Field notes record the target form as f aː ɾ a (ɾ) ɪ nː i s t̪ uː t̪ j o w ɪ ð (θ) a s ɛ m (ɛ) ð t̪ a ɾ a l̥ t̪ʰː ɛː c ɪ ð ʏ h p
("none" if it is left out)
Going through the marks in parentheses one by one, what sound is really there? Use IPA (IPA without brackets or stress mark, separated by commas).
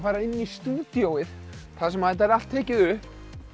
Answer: none, θ, a